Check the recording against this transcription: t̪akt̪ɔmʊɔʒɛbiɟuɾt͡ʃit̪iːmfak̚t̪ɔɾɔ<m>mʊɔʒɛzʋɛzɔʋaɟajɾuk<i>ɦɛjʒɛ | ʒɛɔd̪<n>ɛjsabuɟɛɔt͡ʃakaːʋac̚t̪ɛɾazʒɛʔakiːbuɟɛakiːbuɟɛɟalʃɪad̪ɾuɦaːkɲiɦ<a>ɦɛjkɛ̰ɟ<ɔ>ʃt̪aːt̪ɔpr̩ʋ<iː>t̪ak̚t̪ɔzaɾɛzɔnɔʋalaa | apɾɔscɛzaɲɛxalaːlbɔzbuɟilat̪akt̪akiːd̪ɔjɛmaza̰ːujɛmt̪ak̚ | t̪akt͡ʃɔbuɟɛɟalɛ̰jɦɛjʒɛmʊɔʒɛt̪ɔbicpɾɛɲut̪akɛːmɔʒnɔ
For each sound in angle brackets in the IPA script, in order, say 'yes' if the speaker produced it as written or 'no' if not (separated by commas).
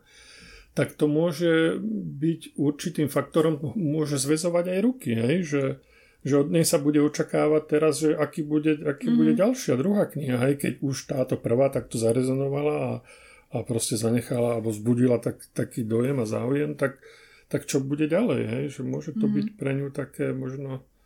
yes, yes, no, yes, no, no